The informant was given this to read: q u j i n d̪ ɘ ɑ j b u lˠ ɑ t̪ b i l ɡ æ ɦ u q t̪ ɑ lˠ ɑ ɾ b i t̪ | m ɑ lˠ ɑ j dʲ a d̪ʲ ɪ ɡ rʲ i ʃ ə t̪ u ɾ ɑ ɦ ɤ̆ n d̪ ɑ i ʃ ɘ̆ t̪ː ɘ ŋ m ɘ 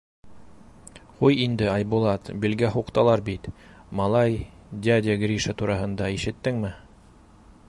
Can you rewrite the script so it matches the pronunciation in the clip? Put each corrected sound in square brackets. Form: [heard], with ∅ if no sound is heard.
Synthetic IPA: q u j i n d̪ ɘ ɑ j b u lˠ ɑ t̪ b i l ɡ æ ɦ u q t̪ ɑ lˠ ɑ ɾ b i t̪ | m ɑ lˠ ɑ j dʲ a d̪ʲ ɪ ɡ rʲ i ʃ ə t̪ u ɾ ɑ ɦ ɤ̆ n d̪ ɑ i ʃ ɘ̆ t̪ː ɘ ŋ m ɘ